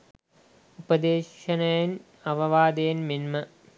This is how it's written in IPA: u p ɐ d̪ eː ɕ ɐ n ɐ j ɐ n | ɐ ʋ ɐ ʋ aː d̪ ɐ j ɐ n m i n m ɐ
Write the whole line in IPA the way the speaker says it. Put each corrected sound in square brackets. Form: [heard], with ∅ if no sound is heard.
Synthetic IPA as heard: u p ɐ d̪ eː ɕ ɐ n ɐ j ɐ n | ɐ ʋ ɐ ʋ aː d̪ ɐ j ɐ n m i n m ɐ